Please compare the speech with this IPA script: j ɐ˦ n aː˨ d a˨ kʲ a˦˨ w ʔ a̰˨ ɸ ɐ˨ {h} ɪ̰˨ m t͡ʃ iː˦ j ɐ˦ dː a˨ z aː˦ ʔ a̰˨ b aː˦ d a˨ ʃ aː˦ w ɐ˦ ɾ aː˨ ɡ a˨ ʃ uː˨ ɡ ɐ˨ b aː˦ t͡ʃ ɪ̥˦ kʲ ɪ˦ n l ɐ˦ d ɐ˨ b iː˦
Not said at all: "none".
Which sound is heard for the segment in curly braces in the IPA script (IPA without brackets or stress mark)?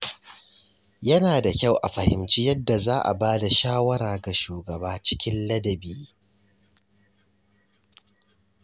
h